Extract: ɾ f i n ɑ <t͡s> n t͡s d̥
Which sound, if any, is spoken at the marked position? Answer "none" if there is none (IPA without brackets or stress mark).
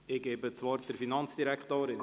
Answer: none